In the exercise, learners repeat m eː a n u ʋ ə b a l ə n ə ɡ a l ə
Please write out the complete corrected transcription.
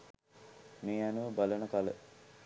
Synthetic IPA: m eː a n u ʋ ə b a l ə n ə k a l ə